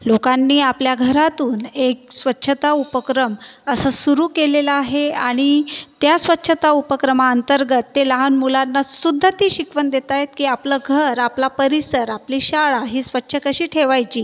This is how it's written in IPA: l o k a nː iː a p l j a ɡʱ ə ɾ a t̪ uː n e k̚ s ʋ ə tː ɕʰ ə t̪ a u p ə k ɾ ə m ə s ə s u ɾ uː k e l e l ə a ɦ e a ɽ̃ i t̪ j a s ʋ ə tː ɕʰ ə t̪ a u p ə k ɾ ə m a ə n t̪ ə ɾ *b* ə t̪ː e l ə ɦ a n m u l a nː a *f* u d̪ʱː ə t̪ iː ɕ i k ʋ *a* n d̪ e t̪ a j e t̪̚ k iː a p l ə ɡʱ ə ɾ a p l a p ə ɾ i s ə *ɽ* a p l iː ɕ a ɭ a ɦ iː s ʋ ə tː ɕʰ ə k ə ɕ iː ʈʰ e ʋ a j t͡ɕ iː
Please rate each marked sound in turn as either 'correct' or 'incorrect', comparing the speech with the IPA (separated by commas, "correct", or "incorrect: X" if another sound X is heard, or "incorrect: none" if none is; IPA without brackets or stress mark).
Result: incorrect: ɡ, incorrect: s, incorrect: ə, incorrect: ɾ